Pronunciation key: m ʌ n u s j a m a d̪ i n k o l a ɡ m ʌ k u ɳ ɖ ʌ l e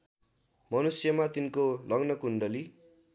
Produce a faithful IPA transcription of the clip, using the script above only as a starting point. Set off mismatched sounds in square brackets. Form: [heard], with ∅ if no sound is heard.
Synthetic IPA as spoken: m ʌ n u s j [ʌ] m a [t̪] i n k o l [ʌ] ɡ [n] ʌ k u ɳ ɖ ʌ l [i]